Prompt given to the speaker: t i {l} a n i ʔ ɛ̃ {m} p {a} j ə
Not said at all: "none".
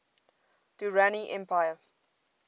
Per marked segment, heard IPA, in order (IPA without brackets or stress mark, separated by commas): ɹ, m, a